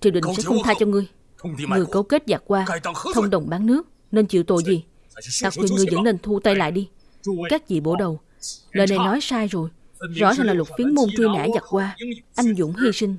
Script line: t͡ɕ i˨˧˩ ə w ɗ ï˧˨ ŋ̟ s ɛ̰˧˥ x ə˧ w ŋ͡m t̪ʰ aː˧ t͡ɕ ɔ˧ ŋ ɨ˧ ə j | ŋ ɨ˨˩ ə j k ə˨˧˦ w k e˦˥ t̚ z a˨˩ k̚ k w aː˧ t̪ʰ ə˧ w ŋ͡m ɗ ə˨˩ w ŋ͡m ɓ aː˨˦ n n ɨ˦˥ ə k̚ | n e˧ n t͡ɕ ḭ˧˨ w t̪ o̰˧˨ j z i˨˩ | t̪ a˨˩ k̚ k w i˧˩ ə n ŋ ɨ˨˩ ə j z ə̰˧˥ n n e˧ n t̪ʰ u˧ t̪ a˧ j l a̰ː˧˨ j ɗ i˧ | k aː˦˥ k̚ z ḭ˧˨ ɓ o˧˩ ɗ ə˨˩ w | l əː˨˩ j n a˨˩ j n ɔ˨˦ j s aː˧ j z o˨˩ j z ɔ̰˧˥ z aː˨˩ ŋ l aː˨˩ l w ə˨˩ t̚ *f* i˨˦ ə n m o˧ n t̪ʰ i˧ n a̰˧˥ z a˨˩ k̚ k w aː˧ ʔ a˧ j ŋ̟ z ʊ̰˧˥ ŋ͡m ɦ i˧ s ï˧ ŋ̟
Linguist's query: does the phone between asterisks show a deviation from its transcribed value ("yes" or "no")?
no